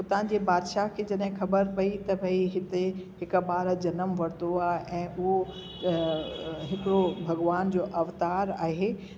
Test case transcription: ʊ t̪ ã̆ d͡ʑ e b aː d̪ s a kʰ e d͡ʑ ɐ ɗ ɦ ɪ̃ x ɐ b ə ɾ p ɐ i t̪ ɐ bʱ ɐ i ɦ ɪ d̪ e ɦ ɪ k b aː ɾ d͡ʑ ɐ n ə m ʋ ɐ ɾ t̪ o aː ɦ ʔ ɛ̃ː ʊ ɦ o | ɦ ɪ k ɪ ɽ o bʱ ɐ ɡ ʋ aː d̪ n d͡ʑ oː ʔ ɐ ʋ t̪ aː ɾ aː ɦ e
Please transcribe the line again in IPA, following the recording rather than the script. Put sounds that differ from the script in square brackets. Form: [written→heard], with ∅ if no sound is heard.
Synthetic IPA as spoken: ʊ t̪ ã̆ d͡ʑ e b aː d̪ [s→ʃ] a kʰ e d͡ʑ ɐ ɗ ɦ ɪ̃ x ɐ b ə ɾ p ɐ i t̪ ɐ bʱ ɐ i ɦ ɪ [d̪→t̪] e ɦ ɪ k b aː ɾ d͡ʑ ɐ n ə m ʋ ɐ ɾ t̪ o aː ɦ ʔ ɛ̃ː ʊ ɦ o | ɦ ɪ k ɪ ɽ o bʱ ɐ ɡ ʋ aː [d̪→∅] n d͡ʑ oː ʔ ɐ ʋ t̪ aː ɾ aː ɦ e